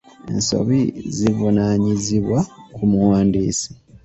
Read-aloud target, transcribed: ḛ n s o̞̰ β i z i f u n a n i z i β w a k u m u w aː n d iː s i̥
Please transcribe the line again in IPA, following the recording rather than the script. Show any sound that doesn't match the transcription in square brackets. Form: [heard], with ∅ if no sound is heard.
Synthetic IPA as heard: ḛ n s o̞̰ β i z i [v] u n a [ɲ] i z i β w a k u m u w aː n d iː s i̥